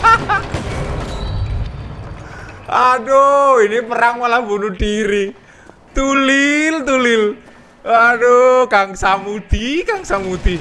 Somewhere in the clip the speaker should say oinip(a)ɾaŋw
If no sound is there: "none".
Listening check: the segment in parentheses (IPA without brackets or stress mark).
ə